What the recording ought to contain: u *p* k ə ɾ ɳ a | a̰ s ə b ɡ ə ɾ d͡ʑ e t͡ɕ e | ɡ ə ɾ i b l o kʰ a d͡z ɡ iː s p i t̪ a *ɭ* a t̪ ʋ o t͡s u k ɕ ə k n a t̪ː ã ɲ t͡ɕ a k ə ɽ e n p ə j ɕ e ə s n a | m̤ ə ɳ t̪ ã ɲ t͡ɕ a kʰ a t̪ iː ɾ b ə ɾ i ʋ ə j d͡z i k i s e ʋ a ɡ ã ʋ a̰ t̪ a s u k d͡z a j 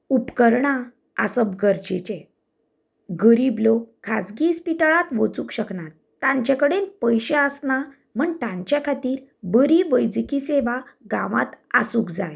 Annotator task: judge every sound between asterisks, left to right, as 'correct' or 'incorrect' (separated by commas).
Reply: correct, correct